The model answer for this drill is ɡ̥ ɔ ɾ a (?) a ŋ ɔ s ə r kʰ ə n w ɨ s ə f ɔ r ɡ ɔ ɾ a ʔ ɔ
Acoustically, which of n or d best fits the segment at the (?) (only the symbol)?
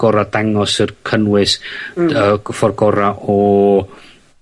d